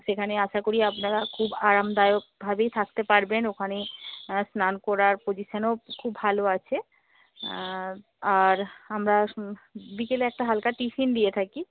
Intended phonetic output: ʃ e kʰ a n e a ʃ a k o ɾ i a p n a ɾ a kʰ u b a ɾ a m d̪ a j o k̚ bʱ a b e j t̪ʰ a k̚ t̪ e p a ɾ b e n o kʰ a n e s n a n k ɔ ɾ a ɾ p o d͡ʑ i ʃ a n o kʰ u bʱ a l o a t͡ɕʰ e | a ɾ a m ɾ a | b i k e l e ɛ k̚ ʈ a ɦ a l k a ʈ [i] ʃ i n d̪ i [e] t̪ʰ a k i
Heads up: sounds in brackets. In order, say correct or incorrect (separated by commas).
correct, correct